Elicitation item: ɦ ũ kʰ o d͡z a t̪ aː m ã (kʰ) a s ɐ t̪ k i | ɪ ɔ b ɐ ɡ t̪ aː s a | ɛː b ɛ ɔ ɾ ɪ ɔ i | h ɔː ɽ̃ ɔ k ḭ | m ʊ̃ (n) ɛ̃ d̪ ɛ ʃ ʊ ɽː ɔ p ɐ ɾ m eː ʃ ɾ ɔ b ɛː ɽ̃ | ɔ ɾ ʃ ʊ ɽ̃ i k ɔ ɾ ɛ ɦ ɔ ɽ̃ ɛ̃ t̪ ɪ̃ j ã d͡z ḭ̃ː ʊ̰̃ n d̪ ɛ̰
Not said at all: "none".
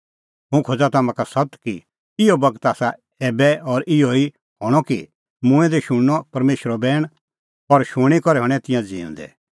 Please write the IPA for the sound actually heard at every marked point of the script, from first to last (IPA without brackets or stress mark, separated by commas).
k, none